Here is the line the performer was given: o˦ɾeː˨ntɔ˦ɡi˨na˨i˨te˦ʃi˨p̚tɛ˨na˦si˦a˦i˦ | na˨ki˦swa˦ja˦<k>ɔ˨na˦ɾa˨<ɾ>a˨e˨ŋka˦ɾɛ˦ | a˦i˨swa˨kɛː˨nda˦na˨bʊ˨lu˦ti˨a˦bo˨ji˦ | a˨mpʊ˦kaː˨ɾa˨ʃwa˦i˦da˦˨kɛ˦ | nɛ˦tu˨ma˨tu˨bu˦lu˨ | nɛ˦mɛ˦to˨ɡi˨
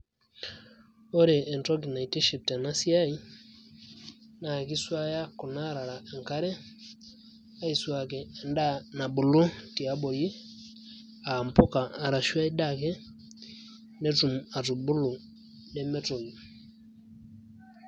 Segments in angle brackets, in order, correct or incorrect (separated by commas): correct, correct